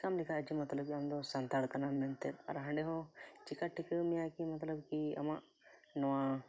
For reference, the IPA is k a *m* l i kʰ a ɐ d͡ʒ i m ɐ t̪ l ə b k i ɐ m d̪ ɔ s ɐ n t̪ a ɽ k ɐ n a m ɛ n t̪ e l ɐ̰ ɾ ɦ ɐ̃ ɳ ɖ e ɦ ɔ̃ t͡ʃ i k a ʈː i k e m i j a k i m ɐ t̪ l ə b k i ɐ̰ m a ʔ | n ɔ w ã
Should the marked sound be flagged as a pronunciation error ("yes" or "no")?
no